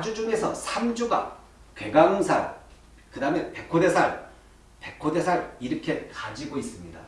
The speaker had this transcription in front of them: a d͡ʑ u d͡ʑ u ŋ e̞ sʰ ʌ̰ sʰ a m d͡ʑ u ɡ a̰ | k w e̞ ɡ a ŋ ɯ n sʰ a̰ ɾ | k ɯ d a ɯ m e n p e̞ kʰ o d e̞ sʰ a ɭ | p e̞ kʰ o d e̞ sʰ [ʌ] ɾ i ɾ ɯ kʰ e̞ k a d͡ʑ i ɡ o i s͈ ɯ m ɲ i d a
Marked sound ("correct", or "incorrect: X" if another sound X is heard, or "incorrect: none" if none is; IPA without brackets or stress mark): incorrect: a